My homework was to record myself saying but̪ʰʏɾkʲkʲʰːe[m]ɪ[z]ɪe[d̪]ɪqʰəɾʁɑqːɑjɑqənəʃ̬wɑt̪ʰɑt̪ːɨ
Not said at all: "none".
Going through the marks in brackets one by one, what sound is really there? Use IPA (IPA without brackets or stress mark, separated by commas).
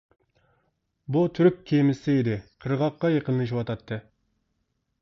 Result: m, s, d̪